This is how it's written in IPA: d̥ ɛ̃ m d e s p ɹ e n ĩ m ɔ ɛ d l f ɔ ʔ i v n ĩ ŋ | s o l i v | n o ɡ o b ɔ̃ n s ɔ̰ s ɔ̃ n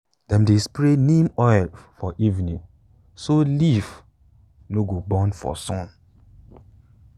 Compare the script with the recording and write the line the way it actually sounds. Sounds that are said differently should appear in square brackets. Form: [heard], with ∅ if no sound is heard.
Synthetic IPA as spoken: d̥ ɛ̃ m d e s p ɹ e n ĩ m ɔ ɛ [∅] l f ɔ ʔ i v n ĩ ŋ | s o l i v | n o ɡ o b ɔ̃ n [f] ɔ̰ s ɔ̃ n